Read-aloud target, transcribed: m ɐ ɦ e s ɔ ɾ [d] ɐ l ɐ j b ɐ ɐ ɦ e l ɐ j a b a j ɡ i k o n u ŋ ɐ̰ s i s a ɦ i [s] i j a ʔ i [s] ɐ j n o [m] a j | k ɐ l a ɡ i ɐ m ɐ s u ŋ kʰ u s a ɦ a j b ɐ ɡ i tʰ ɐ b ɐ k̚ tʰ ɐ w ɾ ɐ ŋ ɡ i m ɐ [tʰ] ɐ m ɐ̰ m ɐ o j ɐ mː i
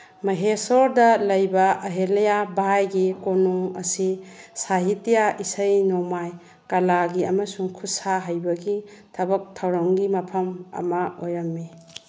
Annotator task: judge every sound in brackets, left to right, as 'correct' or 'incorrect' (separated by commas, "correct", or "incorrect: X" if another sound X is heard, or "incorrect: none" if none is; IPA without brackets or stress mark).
correct, incorrect: t, correct, correct, incorrect: pʰ